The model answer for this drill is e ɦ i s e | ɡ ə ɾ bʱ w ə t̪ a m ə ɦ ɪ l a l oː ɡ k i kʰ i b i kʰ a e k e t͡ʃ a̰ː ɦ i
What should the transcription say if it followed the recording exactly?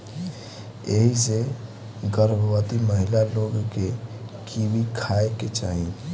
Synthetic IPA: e ɦ i s e | ɡ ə ɾ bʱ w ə t̪ i m ə ɦ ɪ l a l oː ɡ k e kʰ i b i kʰ a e k e t͡ʃ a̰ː ɦ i